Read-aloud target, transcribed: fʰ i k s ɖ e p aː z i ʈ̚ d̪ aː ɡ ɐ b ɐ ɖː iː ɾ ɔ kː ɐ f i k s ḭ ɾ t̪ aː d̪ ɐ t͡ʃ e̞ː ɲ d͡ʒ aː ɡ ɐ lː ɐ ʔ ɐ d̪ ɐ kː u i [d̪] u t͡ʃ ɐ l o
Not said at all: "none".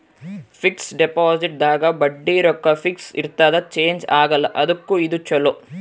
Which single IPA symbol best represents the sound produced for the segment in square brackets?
d̪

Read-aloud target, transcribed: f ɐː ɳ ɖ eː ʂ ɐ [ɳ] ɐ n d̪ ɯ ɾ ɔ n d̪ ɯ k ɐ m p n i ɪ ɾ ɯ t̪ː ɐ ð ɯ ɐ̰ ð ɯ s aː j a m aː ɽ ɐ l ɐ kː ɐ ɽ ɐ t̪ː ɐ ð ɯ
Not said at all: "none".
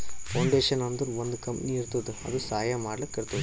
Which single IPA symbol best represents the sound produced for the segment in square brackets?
n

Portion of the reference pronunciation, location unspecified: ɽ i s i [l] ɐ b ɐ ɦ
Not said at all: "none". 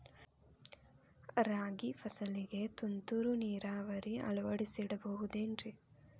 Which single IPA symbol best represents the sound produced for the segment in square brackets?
ɽ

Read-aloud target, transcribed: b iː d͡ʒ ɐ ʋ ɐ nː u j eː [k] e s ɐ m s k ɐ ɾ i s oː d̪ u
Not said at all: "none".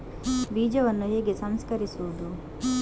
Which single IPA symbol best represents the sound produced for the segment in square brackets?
ɡ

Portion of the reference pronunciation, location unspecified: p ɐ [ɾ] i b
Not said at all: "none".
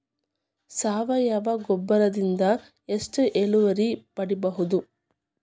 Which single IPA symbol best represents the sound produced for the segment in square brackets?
ɽ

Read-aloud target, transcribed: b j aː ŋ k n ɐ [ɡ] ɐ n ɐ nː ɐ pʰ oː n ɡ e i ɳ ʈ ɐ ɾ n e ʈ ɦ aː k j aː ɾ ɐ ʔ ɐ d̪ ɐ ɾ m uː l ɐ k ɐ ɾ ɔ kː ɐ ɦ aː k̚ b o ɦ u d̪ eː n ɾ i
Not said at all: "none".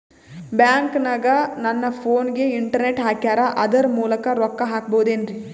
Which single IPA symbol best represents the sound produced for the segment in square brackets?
ɡ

